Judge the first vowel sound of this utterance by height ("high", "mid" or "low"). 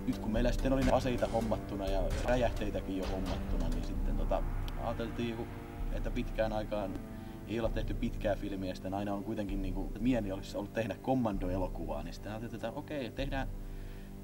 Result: high